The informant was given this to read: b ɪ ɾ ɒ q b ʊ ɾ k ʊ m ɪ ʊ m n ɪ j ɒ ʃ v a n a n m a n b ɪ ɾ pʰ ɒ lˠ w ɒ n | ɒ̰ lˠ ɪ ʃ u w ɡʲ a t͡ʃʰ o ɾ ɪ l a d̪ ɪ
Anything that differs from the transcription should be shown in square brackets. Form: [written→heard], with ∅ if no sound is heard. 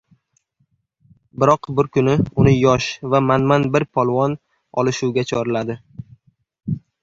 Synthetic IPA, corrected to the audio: b ɪ ɾ ɒ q b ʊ ɾ k ʊ [m→n] ɪ ʊ [m→∅] n ɪ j ɒ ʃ v a [n→m] a n m a n b ɪ ɾ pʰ ɒ lˠ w ɒ n | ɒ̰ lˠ ɪ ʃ u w ɡʲ a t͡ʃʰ [o→ɒ] ɾ ɪ l a d̪ ɪ